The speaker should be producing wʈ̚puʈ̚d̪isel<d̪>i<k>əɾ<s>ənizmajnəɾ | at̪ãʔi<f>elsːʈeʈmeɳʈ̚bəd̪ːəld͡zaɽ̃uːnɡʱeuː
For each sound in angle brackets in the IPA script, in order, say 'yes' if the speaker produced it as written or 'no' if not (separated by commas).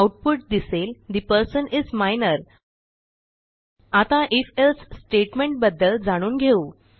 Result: yes, no, yes, yes